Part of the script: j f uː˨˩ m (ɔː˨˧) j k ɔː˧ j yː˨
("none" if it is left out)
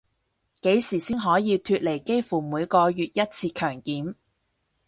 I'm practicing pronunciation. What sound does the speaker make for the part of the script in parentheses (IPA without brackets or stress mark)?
uː˨˧